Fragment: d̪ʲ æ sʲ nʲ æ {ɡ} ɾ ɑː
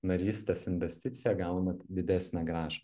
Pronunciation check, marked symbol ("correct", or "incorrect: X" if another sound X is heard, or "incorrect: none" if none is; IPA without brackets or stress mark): correct